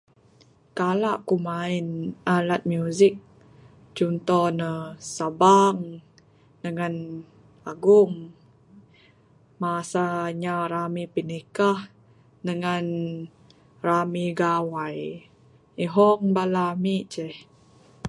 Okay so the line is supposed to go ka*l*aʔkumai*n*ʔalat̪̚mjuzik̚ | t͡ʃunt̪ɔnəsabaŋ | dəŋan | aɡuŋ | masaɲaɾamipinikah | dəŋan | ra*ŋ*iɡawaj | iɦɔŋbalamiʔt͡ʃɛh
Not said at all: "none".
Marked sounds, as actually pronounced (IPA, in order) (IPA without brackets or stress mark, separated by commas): l, n, m